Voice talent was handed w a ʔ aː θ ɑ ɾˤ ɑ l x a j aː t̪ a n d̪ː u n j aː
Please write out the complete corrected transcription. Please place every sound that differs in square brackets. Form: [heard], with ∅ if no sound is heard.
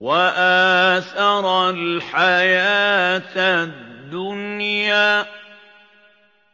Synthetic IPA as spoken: w a ʔ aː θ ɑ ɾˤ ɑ l [ħ] a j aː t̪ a [d] d̪ː [ʊ] n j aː